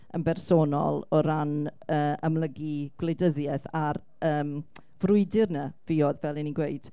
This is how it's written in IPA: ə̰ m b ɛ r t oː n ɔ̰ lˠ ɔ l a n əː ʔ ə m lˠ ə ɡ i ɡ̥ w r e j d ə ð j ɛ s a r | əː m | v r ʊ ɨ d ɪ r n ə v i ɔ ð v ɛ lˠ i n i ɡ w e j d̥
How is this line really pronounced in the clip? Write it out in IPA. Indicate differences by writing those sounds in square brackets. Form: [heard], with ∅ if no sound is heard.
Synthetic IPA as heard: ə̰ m b ɛ r [s] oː n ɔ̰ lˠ ɔ [ɾ] a n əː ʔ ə m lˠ ə ɡ i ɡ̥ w [l] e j d ə ð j ɛ [θ] a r | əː m | v r ʊ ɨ d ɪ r n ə v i ɔ ð v ɛ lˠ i n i ɡ w e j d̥